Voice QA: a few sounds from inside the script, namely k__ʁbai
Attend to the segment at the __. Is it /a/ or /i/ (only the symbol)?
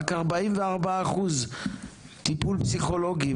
a